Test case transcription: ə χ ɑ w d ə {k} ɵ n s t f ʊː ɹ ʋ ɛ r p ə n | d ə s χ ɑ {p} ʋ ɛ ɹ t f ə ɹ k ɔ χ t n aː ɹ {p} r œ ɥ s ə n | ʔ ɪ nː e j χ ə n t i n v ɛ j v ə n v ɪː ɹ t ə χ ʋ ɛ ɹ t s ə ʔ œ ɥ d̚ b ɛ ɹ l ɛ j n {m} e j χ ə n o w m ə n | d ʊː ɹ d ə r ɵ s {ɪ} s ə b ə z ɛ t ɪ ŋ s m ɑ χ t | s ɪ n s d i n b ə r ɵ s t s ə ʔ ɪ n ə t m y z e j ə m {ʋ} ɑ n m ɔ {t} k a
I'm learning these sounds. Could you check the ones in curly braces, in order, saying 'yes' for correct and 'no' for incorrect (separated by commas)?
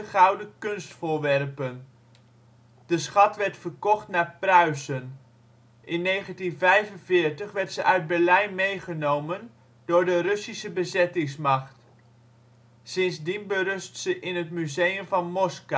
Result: yes, no, yes, yes, no, no, no